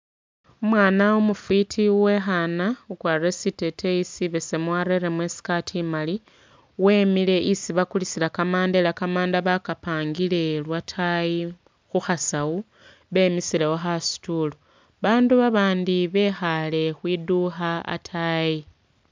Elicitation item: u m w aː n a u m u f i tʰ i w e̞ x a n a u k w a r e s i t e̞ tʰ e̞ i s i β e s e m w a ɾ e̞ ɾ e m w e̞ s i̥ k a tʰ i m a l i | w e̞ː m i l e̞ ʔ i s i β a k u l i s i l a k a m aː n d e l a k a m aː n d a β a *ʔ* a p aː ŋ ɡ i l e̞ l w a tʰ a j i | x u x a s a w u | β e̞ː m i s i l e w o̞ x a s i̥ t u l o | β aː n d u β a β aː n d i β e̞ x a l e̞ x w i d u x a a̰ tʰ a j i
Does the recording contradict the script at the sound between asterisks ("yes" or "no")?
yes